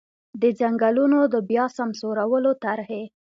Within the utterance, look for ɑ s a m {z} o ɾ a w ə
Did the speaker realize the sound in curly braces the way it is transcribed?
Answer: no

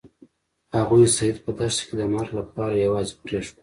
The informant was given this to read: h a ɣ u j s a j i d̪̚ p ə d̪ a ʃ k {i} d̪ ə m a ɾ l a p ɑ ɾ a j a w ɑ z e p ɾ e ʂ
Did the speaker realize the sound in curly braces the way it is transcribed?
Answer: no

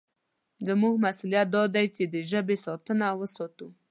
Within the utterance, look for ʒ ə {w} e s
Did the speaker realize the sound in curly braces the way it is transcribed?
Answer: no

